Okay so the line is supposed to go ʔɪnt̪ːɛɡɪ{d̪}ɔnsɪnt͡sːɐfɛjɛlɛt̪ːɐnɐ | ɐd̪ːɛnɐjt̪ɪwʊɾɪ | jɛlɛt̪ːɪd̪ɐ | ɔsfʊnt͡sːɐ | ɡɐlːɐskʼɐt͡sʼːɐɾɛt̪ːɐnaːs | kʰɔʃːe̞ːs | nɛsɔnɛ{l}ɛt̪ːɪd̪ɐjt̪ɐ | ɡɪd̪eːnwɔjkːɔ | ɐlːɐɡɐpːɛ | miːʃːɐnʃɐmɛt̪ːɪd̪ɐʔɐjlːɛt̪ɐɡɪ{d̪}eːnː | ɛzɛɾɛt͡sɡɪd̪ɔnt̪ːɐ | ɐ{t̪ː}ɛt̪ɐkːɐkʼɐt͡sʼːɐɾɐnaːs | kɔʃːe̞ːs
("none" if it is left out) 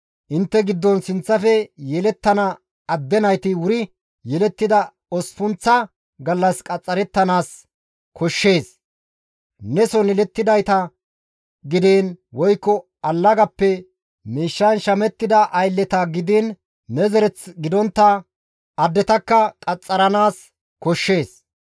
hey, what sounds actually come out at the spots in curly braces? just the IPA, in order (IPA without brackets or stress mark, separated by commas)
d̪ː, l, d̪, d̪ː